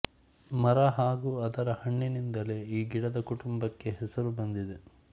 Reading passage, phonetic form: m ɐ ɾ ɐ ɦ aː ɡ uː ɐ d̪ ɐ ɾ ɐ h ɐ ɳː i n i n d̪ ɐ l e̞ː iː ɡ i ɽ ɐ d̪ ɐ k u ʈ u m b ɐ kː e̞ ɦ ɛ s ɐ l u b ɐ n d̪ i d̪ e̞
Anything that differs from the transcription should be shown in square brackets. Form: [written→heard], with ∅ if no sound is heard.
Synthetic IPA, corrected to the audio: m ɐ ɾ ɐ ɦ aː ɡ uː ɐ d̪ ɐ ɾ ɐ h ɐ ɳː i n i n d̪ ɐ l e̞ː iː ɡ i ɽ ɐ d̪ ɐ k u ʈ u m b ɐ kː e̞ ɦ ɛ s ɐ [l→ɾ] u b ɐ n d̪ i d̪ e̞